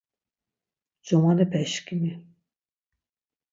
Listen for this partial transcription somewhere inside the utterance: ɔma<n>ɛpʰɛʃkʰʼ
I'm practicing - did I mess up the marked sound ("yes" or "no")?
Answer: no